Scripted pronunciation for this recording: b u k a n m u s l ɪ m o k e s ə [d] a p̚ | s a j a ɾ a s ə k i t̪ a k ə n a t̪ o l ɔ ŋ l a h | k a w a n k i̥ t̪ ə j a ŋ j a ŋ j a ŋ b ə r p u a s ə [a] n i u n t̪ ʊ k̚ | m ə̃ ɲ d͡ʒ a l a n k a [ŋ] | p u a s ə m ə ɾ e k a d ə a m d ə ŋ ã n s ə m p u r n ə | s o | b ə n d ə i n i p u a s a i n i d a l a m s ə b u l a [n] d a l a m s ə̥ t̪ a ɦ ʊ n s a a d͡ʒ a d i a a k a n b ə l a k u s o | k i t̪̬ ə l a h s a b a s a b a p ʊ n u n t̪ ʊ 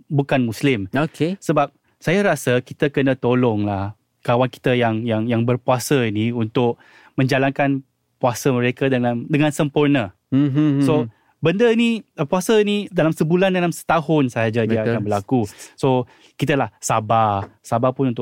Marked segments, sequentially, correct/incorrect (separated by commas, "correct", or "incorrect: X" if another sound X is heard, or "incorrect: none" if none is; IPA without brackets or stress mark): incorrect: b, incorrect: i, incorrect: n, correct